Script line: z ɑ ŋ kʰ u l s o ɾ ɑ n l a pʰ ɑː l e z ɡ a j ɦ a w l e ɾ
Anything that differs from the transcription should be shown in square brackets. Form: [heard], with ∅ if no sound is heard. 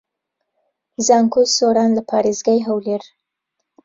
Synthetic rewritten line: z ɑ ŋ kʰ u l s o ɾ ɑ n l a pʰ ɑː [ɾ] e z ɡ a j ɦ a w l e ɾ